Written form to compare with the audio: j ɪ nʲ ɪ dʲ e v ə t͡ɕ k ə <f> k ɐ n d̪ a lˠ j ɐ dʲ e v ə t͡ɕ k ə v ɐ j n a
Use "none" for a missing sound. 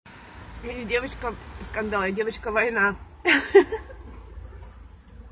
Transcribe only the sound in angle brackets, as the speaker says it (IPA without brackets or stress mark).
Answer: s